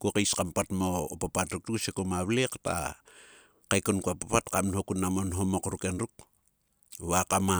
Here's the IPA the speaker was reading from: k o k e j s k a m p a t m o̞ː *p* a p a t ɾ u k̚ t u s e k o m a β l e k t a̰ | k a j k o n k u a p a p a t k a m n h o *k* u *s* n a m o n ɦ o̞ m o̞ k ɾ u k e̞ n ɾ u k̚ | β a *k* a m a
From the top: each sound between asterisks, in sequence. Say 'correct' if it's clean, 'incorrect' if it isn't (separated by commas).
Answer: correct, correct, incorrect, correct